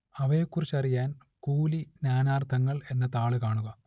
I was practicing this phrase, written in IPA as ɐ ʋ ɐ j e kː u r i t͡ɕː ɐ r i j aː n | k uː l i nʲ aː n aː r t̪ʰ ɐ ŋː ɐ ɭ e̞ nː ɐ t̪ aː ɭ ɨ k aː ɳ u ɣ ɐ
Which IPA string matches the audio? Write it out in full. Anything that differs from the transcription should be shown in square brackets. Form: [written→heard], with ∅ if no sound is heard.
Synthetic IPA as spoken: ɐ ʋ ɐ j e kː u r i t͡ɕː ɐ r i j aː n | k uː l i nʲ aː n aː r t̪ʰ ɐ ŋː ɐ ɭ e̞ nː ɐ t̪ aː ɭ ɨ k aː ɳ u ɣ ɐ

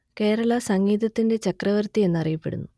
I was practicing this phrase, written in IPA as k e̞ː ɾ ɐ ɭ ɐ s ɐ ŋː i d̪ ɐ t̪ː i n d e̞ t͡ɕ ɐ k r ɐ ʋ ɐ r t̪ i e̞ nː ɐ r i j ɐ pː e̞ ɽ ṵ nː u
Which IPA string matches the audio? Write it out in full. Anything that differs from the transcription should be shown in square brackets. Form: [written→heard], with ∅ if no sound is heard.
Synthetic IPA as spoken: k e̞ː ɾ ɐ ɭ ɐ s ɐ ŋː [i→iː] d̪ ɐ t̪ː i n d e̞ t͡ɕ ɐ k r ɐ ʋ ɐ r t̪ i e̞ nː ɐ r i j ɐ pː e̞ ɽ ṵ nː u

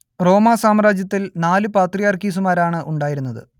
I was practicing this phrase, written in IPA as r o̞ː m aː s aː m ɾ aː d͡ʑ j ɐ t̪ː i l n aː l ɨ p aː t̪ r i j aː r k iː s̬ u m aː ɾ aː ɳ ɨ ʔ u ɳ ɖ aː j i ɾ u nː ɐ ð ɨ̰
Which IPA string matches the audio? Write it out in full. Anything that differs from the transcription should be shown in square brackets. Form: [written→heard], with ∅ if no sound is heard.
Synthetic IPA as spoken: r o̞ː m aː s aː m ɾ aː d͡ʑ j ɐ t̪ː i l n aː l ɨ p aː t̪ r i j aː r k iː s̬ u m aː ɾ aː ɳ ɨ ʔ u ɳ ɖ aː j i ɾ u nː ɐ ð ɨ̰

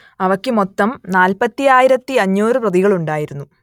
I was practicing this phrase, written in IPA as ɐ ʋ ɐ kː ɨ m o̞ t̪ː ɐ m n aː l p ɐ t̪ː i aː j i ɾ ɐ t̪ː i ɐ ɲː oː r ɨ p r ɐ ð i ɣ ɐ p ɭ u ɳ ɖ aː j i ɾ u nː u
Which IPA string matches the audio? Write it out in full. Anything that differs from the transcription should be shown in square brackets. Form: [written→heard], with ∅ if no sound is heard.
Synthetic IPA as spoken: ɐ ʋ ɐ kː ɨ m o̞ t̪ː ɐ m n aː l p ɐ t̪ː i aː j i ɾ ɐ t̪ː i ɐ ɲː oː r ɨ p r ɐ ð i ɣ ɐ [p→∅] ɭ u ɳ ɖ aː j i ɾ u nː u

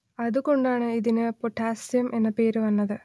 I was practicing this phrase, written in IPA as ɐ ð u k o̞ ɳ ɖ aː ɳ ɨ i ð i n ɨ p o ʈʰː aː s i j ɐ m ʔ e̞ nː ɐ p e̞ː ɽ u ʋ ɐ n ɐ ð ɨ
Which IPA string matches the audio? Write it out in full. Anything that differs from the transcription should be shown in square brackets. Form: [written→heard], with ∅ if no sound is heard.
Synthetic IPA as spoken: ɐ ð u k o̞ ɳ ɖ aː ɳ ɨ i ð i n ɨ p o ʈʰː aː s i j ɐ m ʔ e̞ nː ɐ p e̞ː [ɽ→ɾ] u ʋ ɐ [n→nː] ɐ ð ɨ

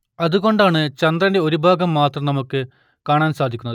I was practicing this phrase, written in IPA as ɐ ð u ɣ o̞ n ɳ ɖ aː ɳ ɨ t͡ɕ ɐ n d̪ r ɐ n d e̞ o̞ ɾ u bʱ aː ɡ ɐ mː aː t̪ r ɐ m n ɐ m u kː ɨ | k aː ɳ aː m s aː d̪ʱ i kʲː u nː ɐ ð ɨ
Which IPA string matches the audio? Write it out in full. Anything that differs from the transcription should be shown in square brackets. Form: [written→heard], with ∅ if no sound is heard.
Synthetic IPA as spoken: ɐ ð u ɣ o̞ [n→∅] ɳ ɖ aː ɳ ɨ t͡ɕ ɐ n d̪ r ɐ n d e̞ o̞ ɾ u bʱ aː ɡ ɐ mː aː t̪ r ɐ m n ɐ m u kː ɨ | k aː ɳ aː [m→n] s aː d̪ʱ i kʲː u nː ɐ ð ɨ

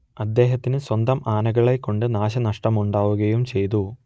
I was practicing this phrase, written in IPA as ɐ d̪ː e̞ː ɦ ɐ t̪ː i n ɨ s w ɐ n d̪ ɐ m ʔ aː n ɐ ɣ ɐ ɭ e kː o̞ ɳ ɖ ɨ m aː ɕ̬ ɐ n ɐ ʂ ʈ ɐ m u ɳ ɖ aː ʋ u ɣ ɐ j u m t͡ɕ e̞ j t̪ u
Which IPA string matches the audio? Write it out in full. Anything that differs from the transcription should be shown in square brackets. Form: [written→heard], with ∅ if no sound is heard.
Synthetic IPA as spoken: ɐ d̪ː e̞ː ɦ ɐ t̪ː i n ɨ s w ɐ n d̪ ɐ m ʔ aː n ɐ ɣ ɐ ɭ e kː o̞ ɳ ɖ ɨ [m→n] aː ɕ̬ ɐ n ɐ ʂ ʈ ɐ m u ɳ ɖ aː ʋ u ɣ ɐ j u m t͡ɕ e̞ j t̪ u

